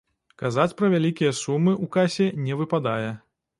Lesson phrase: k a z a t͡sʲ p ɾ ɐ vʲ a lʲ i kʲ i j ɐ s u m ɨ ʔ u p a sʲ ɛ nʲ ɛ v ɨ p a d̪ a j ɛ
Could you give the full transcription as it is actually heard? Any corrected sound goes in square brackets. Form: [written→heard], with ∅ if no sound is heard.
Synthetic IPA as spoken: k a z a t͡sʲ p ɾ ɐ vʲ a lʲ i kʲ i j ɐ s u m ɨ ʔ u [p→k] a sʲ ɛ nʲ ɛ v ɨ p a d̪ a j ɛ